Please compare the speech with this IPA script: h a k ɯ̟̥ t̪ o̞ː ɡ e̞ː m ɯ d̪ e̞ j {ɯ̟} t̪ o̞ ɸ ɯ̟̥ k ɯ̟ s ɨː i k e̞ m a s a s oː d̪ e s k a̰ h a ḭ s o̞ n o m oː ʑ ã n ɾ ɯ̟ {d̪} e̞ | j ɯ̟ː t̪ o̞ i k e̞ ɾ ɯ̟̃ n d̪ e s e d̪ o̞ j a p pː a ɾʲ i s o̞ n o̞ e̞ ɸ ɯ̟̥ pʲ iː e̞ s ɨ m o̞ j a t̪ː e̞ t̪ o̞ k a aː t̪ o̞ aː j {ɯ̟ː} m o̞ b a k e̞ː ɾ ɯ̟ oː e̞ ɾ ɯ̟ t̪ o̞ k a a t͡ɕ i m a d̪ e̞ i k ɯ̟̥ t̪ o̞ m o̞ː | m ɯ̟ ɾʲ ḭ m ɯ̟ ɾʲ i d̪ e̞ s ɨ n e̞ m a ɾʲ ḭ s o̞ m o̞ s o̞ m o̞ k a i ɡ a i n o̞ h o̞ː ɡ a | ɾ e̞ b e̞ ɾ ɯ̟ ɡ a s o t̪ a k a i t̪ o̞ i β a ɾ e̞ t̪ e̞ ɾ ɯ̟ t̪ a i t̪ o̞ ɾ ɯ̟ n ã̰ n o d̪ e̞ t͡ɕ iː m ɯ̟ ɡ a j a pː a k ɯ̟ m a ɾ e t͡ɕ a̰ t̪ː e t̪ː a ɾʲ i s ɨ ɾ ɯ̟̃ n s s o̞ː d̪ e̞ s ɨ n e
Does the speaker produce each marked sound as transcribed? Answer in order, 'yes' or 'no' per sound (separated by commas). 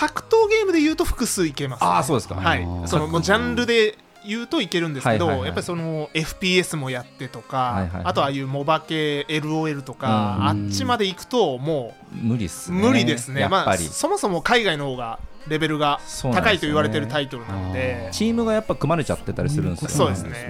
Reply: no, yes, yes